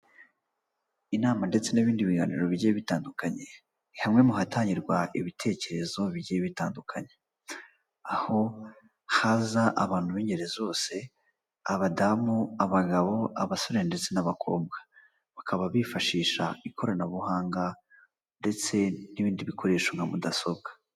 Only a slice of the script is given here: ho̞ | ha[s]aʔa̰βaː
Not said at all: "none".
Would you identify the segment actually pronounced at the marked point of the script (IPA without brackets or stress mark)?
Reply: z